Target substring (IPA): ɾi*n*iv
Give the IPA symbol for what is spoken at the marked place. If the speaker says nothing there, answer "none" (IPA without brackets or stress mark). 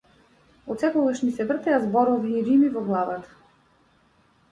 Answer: m